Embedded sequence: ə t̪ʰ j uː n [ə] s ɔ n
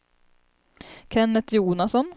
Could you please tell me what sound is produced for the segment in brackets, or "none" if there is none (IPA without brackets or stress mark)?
a